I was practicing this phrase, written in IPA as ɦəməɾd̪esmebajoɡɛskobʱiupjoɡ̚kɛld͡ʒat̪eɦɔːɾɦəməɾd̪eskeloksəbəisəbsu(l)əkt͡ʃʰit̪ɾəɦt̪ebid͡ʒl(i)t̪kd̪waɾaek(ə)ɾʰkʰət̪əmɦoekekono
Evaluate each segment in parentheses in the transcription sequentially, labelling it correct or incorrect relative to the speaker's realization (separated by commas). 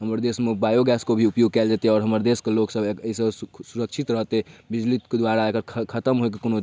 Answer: incorrect, correct, correct